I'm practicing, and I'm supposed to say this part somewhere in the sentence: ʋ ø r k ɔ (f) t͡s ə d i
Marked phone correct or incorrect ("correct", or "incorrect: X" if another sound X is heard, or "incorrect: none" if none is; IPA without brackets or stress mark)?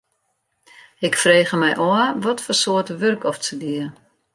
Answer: correct